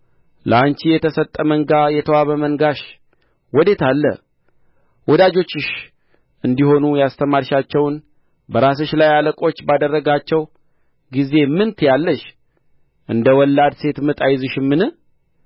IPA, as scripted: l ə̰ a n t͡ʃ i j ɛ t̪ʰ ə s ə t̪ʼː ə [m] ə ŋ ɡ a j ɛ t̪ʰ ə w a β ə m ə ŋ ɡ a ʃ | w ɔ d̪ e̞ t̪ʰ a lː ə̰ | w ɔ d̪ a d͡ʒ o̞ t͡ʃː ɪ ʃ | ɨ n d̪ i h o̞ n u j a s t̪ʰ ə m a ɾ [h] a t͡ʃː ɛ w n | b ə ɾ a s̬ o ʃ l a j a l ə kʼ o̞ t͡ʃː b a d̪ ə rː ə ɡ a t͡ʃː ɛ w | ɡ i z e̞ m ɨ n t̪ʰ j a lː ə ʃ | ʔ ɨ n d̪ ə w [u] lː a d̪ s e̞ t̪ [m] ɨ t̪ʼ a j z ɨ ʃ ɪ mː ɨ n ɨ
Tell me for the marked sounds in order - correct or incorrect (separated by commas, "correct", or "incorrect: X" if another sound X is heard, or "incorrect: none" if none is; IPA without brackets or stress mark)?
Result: correct, incorrect: ʃ, incorrect: ɔ, correct